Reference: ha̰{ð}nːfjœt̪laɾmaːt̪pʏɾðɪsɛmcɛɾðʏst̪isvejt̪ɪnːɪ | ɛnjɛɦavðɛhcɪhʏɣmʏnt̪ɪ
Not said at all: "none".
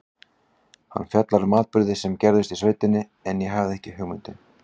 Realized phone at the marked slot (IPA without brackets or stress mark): none